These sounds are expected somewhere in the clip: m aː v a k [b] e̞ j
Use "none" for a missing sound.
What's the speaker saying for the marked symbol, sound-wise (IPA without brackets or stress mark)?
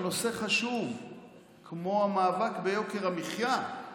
b